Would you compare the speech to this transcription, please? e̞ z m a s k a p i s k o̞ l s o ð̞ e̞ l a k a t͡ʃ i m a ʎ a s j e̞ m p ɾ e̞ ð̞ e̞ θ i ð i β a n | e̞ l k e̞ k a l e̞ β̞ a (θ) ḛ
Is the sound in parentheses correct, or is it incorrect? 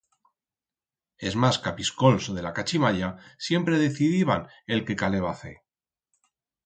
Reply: correct